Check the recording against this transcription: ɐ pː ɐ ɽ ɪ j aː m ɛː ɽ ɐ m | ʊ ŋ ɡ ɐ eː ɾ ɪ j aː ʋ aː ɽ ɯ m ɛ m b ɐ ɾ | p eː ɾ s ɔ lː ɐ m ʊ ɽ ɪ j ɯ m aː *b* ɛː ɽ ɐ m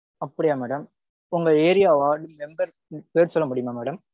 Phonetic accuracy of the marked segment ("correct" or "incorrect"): incorrect